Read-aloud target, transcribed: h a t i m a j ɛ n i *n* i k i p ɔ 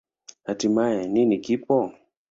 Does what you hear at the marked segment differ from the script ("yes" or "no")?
no